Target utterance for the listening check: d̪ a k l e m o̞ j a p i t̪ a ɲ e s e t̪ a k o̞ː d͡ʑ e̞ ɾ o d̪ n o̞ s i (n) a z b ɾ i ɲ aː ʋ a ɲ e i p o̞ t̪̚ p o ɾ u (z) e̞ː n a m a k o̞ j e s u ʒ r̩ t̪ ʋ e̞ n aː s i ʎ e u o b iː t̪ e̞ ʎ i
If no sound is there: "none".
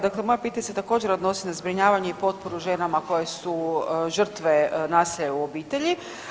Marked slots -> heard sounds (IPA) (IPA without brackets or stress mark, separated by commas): n, ʒ